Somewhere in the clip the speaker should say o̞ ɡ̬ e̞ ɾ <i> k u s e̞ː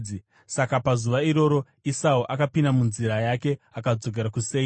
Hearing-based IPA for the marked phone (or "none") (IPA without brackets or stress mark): a